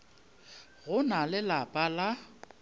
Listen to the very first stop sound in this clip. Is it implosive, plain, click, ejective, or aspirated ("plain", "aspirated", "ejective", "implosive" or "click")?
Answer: ejective